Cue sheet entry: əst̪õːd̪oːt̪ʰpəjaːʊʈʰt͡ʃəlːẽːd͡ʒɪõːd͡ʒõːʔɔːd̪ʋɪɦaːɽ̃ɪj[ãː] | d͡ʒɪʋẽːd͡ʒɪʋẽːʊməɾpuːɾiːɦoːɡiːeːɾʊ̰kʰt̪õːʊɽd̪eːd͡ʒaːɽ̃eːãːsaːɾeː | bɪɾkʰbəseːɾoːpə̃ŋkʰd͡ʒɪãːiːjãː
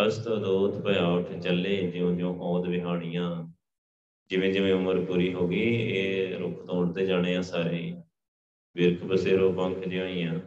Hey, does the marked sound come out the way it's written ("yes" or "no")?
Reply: yes